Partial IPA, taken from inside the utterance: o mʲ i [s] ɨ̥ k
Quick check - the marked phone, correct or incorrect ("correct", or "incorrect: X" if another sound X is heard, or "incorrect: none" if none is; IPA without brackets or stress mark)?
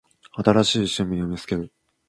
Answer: correct